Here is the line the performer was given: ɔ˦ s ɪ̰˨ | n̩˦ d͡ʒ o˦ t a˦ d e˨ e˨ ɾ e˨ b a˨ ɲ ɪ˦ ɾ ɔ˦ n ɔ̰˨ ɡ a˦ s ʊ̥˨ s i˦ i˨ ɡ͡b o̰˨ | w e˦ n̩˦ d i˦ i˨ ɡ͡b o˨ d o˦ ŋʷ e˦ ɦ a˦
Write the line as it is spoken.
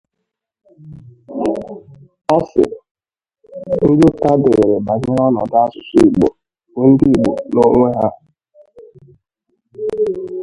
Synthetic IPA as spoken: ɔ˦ s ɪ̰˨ | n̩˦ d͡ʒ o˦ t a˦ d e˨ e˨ ɾ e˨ b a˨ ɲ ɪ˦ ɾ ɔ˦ n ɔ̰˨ d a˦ s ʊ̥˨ s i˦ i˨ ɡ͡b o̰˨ | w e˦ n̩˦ d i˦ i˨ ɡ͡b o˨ n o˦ ŋʷ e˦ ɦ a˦